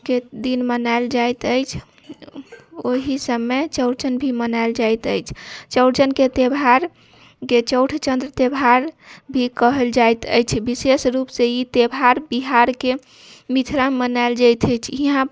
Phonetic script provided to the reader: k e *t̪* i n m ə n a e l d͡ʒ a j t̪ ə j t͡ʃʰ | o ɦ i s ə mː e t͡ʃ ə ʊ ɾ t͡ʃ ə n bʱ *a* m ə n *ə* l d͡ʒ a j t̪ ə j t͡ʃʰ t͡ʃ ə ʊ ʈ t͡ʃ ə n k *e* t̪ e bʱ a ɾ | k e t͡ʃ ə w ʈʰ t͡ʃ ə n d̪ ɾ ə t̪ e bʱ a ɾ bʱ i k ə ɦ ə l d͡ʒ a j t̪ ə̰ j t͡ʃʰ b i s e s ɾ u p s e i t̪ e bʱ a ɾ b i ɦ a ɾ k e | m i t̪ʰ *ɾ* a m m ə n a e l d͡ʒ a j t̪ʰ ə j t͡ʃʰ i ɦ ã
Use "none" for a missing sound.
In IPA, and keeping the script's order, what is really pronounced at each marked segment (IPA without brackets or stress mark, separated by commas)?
d̪, i, a, e, ɾ